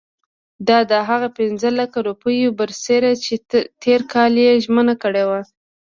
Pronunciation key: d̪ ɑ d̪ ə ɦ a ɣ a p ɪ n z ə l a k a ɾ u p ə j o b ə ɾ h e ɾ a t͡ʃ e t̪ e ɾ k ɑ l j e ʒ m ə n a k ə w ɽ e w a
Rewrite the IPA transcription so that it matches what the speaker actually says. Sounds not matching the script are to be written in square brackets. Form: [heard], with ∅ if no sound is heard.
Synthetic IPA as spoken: d̪ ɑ d̪ ə ɦ a ɣ a p ɪ n z ə l a k a ɾ u p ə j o b ə ɾ [s] e ɾ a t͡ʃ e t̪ e ɾ k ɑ l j e ʒ m ə n a k ə [∅] ɽ e w a